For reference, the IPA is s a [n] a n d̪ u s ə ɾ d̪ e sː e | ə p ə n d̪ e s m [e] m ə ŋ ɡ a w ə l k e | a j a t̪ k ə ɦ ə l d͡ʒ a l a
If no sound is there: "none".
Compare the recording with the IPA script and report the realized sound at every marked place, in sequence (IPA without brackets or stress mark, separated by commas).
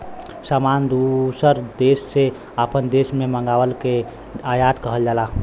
m, e